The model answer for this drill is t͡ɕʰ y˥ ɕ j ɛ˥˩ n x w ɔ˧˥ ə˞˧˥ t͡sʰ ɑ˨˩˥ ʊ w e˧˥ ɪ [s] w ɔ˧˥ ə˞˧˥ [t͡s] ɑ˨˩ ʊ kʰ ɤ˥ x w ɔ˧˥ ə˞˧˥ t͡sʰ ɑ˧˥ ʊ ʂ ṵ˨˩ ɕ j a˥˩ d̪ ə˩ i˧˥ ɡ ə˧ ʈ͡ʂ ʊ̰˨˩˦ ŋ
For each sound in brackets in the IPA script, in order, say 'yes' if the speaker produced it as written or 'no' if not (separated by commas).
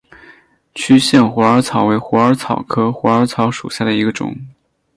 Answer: no, no